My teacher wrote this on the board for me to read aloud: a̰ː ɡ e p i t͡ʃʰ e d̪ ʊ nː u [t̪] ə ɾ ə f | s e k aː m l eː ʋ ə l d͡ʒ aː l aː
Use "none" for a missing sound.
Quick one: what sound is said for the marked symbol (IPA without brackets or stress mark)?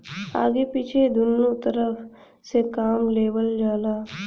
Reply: t̪